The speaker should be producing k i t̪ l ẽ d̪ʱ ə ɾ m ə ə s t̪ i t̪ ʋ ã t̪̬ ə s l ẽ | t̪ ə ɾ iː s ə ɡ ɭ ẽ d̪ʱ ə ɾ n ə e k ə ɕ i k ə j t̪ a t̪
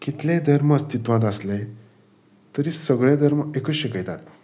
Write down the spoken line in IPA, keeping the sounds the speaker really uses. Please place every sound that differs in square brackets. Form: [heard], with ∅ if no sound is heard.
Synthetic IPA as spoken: k i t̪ l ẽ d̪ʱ ə ɾ m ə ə s t̪ i t̪ ʋ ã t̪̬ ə s l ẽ | t̪ ə ɾ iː s ə ɡ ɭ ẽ d̪ʱ ə ɾ [m] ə e k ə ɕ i k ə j t̪ a t̪